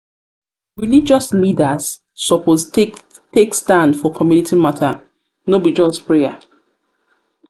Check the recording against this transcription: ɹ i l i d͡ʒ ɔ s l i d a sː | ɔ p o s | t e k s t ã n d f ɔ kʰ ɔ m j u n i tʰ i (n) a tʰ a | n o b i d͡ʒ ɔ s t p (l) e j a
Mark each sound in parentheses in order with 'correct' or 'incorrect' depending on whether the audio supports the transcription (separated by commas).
incorrect, incorrect